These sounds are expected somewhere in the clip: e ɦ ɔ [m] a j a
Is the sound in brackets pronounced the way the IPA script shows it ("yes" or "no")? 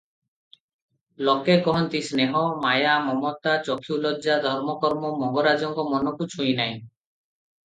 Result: yes